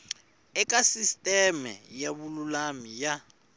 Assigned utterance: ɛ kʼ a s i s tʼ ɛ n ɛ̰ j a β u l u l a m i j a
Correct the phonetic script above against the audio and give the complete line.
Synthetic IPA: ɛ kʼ a s i s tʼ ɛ m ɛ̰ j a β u l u l a m i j a